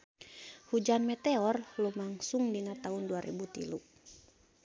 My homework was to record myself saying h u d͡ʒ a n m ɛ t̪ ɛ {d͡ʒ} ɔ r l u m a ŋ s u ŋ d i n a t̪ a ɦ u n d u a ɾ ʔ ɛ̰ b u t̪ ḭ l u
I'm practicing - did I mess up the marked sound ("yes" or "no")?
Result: yes